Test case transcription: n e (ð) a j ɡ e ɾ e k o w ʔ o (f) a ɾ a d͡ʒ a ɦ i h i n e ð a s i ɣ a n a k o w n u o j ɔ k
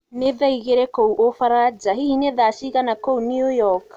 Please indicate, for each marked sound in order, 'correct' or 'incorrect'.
correct, correct

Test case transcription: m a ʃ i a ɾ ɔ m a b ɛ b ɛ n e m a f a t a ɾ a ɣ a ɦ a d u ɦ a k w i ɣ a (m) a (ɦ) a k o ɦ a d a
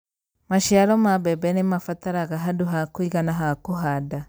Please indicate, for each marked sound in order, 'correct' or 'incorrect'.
incorrect, correct

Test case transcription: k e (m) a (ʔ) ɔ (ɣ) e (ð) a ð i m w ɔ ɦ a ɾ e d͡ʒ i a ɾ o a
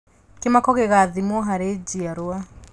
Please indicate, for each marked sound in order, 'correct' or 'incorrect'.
correct, incorrect, correct, incorrect

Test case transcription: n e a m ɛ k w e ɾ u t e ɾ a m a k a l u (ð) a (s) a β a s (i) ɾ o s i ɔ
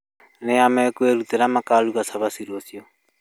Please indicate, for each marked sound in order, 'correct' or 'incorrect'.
incorrect, correct, correct

